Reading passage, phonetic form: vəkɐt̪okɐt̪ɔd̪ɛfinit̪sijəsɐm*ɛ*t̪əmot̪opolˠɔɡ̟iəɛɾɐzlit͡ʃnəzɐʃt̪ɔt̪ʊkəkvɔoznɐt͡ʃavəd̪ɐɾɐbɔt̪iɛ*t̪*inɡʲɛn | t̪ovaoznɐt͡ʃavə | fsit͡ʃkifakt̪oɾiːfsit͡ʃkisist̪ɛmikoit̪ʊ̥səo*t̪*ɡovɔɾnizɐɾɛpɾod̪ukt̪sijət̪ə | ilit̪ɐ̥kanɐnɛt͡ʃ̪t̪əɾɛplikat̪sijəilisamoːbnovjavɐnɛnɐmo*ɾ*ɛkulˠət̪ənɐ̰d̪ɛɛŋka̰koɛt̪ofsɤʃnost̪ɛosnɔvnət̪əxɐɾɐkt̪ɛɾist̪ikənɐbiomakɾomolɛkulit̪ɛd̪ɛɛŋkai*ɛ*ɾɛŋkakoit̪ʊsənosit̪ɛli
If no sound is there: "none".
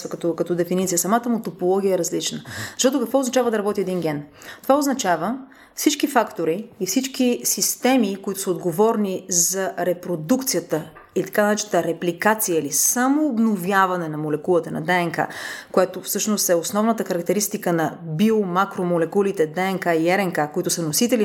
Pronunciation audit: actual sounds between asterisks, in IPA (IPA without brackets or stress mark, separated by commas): a, d̪, d̪, l, ɛ